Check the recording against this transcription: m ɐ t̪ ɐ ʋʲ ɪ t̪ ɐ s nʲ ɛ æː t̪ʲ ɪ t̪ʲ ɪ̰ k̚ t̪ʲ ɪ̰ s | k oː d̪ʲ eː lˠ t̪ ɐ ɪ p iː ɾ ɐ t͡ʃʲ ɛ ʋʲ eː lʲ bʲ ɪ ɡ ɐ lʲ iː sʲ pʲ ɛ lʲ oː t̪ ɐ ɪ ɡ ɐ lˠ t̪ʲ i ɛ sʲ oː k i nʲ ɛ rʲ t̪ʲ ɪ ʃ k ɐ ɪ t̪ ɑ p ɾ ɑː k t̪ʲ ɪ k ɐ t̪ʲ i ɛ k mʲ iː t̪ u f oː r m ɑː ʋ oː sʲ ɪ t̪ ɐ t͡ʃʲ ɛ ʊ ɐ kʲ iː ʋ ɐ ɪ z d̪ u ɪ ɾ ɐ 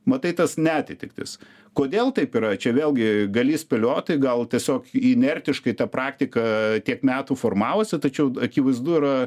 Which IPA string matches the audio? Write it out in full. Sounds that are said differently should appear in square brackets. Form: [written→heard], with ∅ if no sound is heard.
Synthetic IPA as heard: m ɐ t̪ ɐ [ʋʲ→∅] ɪ t̪ ɐ s nʲ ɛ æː t̪ʲ ɪ t̪ʲ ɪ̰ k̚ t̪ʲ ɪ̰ s | k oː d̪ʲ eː lˠ t̪ ɐ ɪ p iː ɾ ɐ t͡ʃʲ ɛ ʋʲ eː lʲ [bʲ→ɡʲ] ɪ ɡ ɐ lʲ iː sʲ pʲ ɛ lʲ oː t̪ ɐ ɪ ɡ ɐ lˠ t̪ʲ i ɛ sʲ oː k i nʲ ɛ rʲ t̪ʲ ɪ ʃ k ɐ ɪ t̪ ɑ p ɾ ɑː k t̪ʲ ɪ k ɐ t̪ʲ i ɛ k mʲ [iː→æː] t̪ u f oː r m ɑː ʋ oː sʲ ɪ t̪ ɐ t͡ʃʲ ɛ ʊ ɐ kʲ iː ʋ ɐ ɪ z d̪ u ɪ ɾ ɐ